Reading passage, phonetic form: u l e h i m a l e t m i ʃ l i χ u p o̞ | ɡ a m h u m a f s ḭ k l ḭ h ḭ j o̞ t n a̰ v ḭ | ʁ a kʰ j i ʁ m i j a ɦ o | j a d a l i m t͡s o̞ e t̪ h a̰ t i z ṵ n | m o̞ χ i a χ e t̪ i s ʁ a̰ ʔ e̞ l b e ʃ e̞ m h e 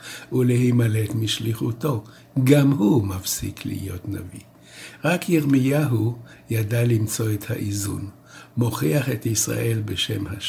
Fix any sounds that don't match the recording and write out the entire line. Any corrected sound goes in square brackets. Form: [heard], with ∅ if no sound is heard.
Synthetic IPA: u l e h i m a l e t m i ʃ l i χ u [t] o̞ | ɡ a m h u m a f s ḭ k l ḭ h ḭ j o̞ t n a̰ v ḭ | ʁ a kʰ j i ʁ m i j a ɦ [u] | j a d a l i m t͡s o̞ e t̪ h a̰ [ʔ] i z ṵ n | m o̞ χ i a χ e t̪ i s ʁ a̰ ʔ e̞ l b e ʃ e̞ m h [a]